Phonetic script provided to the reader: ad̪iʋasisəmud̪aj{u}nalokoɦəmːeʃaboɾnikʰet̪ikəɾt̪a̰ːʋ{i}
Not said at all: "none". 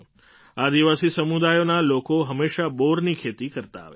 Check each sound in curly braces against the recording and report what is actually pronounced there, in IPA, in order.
o, e

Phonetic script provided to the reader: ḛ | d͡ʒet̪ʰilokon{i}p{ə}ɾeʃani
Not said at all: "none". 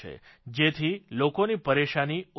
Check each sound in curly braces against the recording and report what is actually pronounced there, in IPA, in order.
i, ə

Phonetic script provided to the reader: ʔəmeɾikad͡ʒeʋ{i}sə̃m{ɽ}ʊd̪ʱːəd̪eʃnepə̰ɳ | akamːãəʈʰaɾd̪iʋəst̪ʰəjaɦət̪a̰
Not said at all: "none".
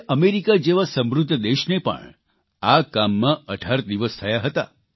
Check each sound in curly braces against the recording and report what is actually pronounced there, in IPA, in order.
a, ɾ

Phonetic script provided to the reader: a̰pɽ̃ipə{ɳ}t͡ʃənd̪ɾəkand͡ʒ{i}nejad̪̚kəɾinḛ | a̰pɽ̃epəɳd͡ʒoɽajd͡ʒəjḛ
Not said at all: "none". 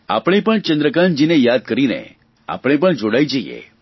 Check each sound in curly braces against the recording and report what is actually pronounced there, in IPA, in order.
ɳ, i

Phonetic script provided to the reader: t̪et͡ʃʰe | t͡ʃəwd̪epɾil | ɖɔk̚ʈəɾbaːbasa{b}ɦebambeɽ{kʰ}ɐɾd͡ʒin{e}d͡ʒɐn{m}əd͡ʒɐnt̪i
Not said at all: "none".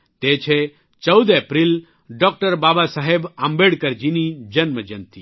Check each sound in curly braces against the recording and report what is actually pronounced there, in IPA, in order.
none, k, i, m

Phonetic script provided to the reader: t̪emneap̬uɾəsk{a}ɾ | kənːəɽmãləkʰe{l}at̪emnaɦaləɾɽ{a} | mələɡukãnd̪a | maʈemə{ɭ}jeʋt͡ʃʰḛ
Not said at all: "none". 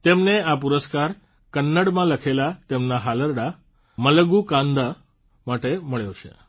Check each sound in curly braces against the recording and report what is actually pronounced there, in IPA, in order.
a, l, a, ɭ

